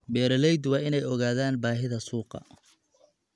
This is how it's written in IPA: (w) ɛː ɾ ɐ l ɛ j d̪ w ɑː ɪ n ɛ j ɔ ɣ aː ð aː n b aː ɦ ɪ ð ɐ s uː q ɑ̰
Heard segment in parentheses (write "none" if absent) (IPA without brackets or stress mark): b